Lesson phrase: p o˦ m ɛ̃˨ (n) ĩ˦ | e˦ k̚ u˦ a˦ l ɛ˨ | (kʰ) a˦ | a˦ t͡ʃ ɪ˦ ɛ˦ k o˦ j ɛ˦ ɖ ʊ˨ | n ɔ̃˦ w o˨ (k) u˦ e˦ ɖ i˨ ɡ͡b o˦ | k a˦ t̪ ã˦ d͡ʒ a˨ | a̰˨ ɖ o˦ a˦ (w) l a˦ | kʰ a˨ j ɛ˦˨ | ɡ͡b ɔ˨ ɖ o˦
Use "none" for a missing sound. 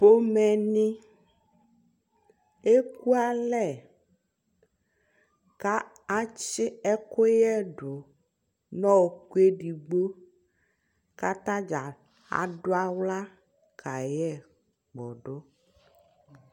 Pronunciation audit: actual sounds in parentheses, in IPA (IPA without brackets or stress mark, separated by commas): n, k, k, w